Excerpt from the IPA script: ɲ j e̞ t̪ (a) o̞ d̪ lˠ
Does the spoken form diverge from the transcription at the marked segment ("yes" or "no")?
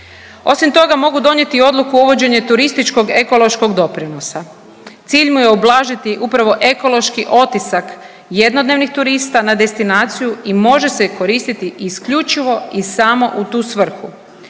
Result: yes